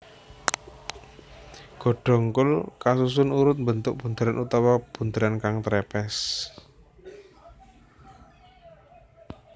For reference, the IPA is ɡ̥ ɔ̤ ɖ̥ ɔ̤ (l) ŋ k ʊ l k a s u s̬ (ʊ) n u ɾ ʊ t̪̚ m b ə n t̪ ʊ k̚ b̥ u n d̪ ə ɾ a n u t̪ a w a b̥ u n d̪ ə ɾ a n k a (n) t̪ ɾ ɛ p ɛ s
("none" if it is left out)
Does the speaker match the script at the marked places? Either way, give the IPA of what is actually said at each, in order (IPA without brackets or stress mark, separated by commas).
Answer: none, ʊ, ŋ